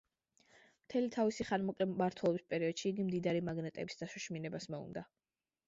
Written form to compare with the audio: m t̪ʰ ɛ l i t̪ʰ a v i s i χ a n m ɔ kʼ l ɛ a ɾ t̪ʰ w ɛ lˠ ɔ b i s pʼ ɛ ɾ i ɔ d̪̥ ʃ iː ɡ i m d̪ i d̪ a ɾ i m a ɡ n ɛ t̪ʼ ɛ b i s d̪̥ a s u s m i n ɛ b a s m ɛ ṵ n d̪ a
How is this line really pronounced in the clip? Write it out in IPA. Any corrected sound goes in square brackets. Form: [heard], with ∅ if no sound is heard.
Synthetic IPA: m t̪ʰ ɛ l i t̪ʰ a v i s i χ a n m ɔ kʼ l ɛ a ɾ t̪ʰ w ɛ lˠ ɔ b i s pʼ ɛ ɾ i ɔ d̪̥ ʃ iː ɡ i m d̪ i d̪ a ɾ i m a ɡ n ɛ t̪ʼ ɛ b i s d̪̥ a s u [ʃ] m i n ɛ b a s m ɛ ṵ n d̪ a